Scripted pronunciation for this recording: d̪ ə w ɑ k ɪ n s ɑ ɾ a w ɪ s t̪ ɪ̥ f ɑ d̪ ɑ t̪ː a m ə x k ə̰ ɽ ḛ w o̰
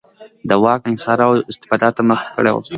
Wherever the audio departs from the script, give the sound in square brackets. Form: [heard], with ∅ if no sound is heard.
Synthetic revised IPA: d̪ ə w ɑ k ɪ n s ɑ ɾ a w ɪ s t̪ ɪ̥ f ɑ d̪ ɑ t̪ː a m ə x k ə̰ ɽ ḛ w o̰

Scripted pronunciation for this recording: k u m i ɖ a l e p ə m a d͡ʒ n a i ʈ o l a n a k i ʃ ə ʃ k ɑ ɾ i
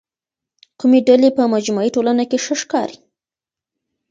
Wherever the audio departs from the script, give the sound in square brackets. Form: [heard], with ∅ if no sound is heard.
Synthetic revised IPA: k u m [e] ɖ a l e p ə m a d͡ʒ [m] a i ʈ o l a n a k [e] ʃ ə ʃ k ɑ ɾ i

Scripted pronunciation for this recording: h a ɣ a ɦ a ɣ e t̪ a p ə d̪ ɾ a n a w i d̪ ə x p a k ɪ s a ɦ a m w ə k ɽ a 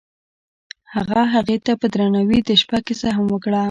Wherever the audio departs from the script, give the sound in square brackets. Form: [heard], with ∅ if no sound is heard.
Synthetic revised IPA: h a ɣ a ɦ a ɣ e t̪ a p ə d̪ ɾ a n a w i d̪ ə [ʃ] p a k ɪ s a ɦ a m w ə k ɽ a

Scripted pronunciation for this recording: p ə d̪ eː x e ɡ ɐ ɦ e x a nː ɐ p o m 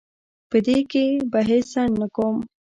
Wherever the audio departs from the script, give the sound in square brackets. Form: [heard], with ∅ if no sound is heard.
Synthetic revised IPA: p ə d̪ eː [k] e [b] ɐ ɦ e [s] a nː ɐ [k] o m

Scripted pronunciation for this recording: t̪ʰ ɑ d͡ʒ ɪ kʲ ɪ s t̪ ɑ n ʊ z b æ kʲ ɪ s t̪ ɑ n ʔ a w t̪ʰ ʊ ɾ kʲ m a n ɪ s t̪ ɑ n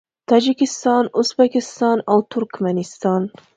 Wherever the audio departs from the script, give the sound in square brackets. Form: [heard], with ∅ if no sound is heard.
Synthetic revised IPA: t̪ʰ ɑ d͡ʒ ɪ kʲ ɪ s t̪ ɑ n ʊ z b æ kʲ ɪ s t̪ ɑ n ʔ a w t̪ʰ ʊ ɾ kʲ m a n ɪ s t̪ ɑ n

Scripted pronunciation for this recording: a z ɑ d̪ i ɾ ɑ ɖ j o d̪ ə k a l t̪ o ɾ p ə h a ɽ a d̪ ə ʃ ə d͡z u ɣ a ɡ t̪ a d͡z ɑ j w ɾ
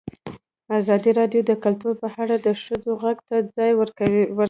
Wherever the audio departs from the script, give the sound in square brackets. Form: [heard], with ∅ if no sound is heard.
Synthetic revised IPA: a z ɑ d̪ i ɾ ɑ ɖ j o d̪ ə k a l t̪ [u] ɾ p ə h a ɽ a d̪ ə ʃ ə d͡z [o] ɣ a ɡ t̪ a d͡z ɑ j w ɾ

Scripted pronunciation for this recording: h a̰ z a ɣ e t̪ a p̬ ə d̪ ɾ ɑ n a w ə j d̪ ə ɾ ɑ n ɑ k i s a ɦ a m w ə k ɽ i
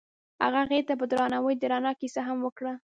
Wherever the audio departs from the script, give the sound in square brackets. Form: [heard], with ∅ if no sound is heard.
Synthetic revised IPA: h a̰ [ɣ] a ɣ e t̪ a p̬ ə d̪ ɾ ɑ n a w ə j d̪ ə ɾ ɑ n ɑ k i s a ɦ a m w ə k ɽ [a]

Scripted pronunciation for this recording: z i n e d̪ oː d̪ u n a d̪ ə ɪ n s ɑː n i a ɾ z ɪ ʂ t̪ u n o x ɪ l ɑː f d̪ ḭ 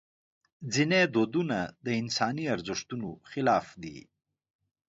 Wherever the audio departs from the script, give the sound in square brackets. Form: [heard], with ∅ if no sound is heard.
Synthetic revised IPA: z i n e d̪ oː d̪ u n a d̪ ə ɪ n s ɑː n i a ɾ z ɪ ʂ t̪ u n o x ɪ l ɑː f d̪ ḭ

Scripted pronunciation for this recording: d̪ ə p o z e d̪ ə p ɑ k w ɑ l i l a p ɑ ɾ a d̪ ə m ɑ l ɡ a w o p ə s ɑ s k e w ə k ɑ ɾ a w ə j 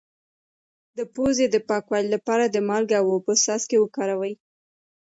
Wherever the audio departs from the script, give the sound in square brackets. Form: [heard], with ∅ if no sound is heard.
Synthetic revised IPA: d̪ ə p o z e d̪ ə p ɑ k w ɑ l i l a p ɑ ɾ a d̪ ə m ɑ l ɡ a w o p ə s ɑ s k e w ə k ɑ ɾ a w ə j

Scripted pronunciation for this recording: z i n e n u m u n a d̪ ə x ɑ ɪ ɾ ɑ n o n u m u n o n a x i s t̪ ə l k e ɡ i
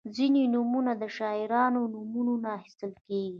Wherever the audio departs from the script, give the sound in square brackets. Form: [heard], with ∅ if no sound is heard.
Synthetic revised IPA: z i n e n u m u n a d̪ ə [ʃ] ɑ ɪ ɾ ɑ n o n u m u n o n a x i s t̪ ə l k e ɡ i

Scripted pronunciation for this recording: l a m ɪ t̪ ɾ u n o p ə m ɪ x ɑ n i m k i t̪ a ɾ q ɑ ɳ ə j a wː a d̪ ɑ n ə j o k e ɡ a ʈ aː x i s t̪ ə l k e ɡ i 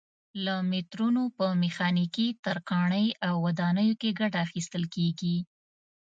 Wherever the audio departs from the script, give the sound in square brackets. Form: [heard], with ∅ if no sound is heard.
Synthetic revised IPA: l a m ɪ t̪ ɾ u n o p ə m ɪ x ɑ n i [∅] k i t̪ a ɾ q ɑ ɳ ə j a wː a d̪ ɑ n ə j o k e ɡ a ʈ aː x i s t̪ ə l k e ɡ i

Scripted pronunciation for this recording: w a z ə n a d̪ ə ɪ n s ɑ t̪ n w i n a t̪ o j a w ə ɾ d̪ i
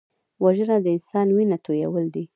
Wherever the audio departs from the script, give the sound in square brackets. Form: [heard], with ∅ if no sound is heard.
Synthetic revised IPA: w a [ʒ] ə n a d̪ ə ɪ n s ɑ [∅] n w i n a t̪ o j a w ə [l] d̪ i

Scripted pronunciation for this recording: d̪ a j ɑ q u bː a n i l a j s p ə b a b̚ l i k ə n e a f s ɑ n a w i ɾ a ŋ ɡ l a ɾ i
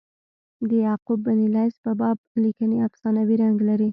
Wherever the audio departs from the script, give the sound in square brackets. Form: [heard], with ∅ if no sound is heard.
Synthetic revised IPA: d̪ [ə] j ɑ q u bː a n i l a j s p ə b [ɑ] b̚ l i k ə n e a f s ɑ n a w i ɾ a ŋ ɡ l a ɾ i

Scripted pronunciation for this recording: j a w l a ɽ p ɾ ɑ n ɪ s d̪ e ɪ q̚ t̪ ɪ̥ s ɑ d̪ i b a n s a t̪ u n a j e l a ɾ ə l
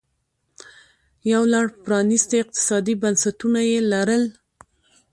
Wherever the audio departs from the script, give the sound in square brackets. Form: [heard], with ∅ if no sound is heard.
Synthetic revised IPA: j a w l a ɽ p ɾ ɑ n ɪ s [t̪] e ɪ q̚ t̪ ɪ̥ s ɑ d̪ i b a n s a t̪ u n a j e l a ɾ ə l

